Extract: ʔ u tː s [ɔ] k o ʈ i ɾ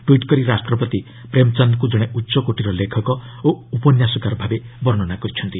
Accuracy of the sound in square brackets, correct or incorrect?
correct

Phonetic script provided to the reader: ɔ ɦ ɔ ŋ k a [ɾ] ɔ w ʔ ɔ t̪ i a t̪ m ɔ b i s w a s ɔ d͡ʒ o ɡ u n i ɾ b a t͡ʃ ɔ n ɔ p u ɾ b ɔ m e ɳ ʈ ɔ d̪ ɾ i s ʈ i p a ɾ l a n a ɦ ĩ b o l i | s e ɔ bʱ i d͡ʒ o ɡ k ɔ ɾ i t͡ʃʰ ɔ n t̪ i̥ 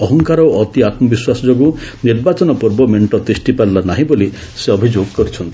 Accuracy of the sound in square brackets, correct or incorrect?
correct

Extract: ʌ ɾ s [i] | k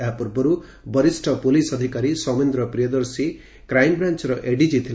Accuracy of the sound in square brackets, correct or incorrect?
correct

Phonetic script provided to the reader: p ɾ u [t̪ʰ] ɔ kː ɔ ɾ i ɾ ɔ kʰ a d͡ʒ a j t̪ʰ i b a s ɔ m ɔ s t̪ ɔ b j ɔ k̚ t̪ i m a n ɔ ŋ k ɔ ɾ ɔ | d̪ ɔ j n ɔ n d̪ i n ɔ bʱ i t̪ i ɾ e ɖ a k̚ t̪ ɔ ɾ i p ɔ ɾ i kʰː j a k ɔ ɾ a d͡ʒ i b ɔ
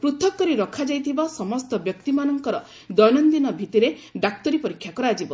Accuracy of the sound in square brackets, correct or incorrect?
correct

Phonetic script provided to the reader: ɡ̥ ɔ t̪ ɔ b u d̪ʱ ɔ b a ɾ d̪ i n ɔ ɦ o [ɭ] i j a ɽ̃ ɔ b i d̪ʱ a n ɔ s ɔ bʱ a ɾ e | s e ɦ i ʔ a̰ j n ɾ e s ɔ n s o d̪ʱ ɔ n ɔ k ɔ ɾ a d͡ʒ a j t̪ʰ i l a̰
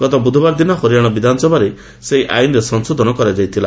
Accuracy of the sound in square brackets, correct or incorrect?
incorrect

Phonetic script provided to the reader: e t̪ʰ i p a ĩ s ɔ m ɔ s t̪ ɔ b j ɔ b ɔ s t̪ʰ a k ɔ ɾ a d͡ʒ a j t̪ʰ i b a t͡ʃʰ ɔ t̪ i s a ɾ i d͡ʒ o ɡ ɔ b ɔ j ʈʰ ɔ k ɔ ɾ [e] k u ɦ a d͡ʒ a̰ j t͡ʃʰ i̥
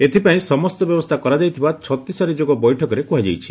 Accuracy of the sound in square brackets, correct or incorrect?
correct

